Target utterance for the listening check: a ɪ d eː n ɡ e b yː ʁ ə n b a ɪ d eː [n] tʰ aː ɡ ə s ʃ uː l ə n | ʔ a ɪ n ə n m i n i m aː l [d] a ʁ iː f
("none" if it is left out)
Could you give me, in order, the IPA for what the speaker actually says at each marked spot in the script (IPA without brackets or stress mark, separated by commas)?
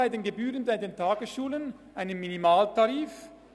n, t